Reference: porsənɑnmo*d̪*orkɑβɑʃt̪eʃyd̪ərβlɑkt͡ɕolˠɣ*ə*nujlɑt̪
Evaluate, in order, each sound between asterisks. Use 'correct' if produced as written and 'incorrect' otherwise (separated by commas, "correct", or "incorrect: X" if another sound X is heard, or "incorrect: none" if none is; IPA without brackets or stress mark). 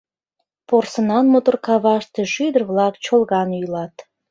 incorrect: t̪, incorrect: ɑ